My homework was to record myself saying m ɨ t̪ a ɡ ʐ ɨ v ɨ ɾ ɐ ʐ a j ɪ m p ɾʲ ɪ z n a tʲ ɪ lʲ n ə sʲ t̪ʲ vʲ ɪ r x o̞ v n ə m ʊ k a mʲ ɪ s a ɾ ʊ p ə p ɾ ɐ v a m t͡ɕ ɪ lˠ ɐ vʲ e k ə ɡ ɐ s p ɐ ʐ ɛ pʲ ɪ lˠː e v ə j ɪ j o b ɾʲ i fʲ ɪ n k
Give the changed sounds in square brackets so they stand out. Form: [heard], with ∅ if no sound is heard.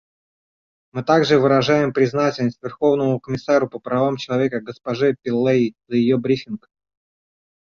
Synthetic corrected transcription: m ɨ t̪ a ɡ ʐ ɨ v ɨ ɾ ɐ ʐ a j ɪ m p ɾʲ ɪ z n a tʲ ɪ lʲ n ə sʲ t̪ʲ vʲ ɪ r x o̞ v n ə m ʊ k [ə] mʲ ɪ s a ɾ ʊ p ə p ɾ ɐ v a m t͡ɕ ɪ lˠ ɐ vʲ e k ə ɡ [ə] s p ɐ ʐ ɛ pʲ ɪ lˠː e [z] ə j ɪ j o b ɾʲ i fʲ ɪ n k